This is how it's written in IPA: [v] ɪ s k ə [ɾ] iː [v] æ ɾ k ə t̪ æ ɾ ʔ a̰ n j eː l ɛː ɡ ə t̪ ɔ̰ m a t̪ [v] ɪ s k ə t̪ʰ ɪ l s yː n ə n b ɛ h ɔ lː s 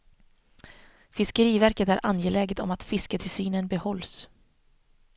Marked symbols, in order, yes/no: no, yes, yes, no

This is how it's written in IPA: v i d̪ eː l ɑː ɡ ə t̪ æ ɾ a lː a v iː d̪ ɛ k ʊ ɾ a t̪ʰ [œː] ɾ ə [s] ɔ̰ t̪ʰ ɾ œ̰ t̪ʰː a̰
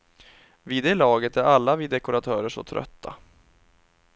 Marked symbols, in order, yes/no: yes, no

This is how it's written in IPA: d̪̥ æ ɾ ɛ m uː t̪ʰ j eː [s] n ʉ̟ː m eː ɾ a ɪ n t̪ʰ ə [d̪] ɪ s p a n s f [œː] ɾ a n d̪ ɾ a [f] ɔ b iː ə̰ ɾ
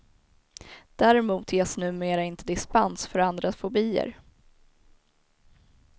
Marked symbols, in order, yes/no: yes, yes, no, yes

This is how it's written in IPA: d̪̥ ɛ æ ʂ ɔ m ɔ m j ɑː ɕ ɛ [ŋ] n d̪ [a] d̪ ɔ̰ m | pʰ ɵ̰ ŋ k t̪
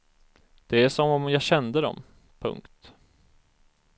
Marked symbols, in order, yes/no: no, no

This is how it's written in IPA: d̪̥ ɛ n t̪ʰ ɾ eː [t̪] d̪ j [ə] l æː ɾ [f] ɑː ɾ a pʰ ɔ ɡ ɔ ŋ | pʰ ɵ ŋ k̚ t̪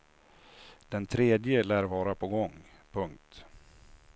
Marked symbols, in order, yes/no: no, yes, no

